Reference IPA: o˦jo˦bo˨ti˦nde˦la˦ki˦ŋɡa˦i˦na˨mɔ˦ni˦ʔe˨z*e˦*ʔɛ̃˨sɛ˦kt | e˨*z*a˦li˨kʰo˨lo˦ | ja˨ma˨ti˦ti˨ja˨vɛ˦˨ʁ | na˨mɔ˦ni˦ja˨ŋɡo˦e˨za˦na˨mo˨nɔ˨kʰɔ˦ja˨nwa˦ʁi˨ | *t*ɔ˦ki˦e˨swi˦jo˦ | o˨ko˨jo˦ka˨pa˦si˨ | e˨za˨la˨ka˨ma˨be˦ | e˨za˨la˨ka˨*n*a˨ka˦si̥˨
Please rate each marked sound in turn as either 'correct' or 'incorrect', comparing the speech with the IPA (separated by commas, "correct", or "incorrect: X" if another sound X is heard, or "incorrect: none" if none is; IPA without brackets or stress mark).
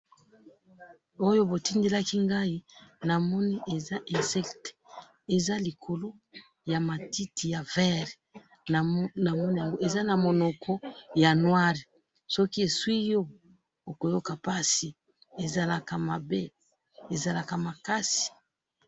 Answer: incorrect: a˦, correct, incorrect: s, incorrect: m